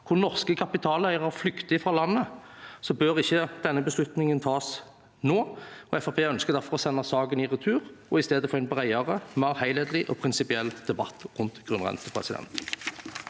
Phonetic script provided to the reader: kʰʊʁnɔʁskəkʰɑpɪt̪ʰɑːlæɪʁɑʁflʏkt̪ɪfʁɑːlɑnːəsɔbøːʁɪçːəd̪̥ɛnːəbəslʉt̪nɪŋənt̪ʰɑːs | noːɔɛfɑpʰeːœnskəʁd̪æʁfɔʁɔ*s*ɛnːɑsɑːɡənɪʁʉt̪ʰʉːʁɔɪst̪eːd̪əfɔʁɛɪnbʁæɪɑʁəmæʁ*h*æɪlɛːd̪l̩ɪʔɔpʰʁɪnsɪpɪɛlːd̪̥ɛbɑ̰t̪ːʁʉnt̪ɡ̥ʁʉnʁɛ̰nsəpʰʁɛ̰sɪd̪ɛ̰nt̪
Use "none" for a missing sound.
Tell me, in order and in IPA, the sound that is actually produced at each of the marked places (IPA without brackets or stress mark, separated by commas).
s, h